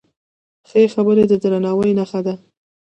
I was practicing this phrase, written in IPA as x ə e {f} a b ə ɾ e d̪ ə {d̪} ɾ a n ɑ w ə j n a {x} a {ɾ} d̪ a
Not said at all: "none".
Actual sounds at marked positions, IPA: x, d̪, x, none

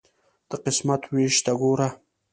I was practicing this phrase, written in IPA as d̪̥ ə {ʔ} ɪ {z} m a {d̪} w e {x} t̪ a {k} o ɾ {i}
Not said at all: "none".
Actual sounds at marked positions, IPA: q, s, t̪, ʃ, ɡ, a

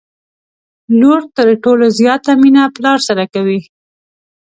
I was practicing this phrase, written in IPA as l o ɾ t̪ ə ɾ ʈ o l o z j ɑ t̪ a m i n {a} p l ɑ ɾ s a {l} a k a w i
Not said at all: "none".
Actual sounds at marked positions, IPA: a, ɾ

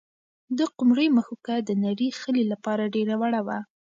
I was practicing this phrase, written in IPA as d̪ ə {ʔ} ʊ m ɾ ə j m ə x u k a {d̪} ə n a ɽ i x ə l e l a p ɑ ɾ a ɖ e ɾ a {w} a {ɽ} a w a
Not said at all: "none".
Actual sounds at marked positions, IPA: q, d̪, w, ɽ

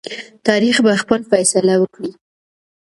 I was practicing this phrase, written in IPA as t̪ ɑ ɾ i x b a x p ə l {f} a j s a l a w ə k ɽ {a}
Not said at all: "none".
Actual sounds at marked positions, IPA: f, i

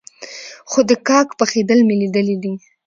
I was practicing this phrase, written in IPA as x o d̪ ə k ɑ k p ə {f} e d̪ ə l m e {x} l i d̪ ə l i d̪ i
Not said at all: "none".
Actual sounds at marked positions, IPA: x, none

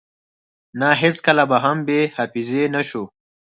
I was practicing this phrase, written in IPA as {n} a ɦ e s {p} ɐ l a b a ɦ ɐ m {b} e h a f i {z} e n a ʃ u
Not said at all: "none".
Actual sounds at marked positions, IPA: n, k, b, z

